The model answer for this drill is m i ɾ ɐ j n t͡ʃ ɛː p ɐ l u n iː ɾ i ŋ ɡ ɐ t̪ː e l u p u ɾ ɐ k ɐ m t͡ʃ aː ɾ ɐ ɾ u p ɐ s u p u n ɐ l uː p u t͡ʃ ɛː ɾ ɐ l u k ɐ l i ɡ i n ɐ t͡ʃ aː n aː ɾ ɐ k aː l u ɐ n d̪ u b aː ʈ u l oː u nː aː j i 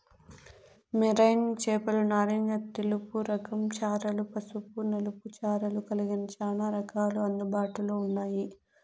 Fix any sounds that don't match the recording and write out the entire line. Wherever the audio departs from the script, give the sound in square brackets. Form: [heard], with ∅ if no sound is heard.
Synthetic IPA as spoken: m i ɾ ɐ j n t͡ʃ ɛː p ɐ l u n [aː] ɾ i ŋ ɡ ɐ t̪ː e l u p u ɾ ɐ k ɐ m t͡ʃ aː ɾ ɐ [l] u p ɐ s u p u n ɐ l [u] p u t͡ʃ [aː] ɾ ɐ l u k ɐ l i ɡ i n ɐ t͡ʃ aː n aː ɾ ɐ k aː l u ɐ n d̪ u b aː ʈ u l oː u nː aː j i